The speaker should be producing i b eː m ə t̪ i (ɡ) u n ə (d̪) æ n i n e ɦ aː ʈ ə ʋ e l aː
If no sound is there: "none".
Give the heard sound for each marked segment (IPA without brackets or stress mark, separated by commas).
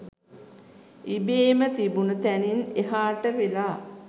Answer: b, t̪